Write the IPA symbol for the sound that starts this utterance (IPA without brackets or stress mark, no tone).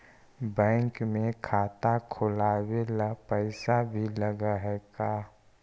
b